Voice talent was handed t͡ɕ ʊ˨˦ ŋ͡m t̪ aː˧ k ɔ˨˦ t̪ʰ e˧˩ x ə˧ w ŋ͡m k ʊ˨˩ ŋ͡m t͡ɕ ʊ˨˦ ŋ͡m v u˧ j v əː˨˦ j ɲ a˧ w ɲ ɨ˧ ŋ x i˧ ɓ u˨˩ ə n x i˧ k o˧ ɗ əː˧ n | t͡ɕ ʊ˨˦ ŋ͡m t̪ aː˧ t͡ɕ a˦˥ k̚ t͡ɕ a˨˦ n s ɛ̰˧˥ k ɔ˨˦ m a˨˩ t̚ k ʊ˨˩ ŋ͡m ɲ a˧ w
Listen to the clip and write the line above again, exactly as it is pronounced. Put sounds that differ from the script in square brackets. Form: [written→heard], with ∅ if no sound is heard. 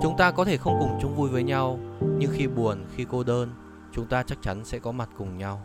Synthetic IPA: t͡ɕ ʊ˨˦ ŋ͡m t̪ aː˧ k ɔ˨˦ t̪ʰ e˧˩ x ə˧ w ŋ͡m k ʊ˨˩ ŋ͡m t͡ɕ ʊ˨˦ ŋ͡m v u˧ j v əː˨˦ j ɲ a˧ w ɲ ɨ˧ ŋ x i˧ ɓ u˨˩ ə n x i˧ k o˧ ɗ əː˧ n | t͡ɕ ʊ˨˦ ŋ͡m t̪ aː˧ t͡ɕ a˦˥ k̚ t͡ɕ a˨˦ n s ɛ̰˧˥ k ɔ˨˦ m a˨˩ t̚ k ʊ˨˩ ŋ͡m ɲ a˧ w